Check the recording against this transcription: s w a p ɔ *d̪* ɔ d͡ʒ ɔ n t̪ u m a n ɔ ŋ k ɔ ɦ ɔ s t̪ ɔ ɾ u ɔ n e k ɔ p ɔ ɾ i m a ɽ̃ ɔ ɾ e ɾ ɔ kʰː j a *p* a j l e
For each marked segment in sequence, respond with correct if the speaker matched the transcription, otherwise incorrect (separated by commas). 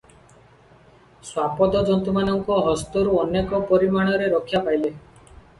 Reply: correct, correct